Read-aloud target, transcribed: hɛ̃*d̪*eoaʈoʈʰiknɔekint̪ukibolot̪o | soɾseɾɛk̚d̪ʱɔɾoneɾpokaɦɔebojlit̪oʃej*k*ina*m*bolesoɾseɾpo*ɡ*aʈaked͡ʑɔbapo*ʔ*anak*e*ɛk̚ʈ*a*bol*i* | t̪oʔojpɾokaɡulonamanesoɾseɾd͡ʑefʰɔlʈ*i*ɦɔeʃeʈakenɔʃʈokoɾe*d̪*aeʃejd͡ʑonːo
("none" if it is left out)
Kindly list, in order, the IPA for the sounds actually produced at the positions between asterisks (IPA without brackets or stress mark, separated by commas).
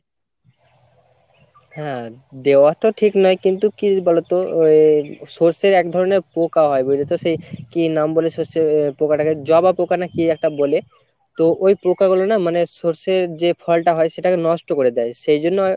d̪, k, m, k, k, i, a, e, a, d̪